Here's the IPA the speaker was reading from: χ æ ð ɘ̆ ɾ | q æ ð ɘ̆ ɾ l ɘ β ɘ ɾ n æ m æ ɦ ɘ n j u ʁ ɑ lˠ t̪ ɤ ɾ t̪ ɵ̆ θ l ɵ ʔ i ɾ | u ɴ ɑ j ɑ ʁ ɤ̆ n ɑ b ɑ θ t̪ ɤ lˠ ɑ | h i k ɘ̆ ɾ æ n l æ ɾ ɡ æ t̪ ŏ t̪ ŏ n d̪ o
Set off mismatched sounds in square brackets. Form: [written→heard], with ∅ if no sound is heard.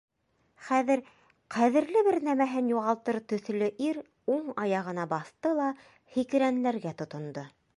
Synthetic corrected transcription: χ æ ð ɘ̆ ɾ | q æ ð ɘ̆ ɾ l ɘ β ɘ ɾ n æ m æ ɦ ɘ n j u ʁ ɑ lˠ t̪ ɤ ɾ t̪ ɵ̆ θ l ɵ ʔ i ɾ | u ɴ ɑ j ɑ ʁ ɤ̆ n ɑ b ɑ θ t̪ ɤ lˠ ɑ | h i k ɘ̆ ɾ æ n l æ ɾ ɡ æ t̪ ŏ t̪ ŏ n d̪ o